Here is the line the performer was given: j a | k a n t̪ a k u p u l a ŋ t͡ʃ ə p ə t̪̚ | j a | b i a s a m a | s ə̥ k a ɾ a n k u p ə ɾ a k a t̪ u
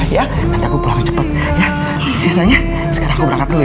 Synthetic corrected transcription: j a | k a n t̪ a k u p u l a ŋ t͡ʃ ə p ə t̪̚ | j a | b i a s a ɲ a | s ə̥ k a ɾ a ŋ k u b ə ɾ a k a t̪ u